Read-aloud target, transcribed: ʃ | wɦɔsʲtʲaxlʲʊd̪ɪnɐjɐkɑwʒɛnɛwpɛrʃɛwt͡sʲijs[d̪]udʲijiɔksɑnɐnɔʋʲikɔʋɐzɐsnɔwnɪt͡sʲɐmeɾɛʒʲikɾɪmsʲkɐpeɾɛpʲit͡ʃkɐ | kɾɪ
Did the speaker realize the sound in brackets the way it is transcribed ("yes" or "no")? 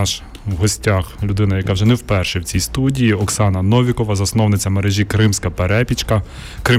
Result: no